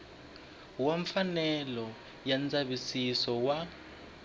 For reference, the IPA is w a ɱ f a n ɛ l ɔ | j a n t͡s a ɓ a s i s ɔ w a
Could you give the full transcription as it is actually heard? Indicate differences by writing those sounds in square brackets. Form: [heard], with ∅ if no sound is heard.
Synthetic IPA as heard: w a ɱ f a n ɛ l ɔ | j a n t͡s a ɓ [i] s i s ɔ w a